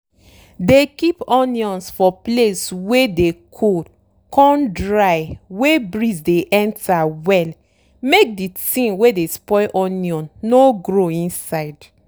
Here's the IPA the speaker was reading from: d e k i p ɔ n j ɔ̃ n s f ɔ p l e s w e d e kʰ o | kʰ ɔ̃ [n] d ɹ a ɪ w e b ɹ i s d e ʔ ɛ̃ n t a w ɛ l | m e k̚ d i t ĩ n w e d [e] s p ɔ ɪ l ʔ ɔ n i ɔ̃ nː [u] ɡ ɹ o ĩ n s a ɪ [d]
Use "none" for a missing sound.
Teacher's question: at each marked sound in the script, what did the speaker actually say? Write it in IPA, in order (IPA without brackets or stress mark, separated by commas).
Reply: n, e, o, d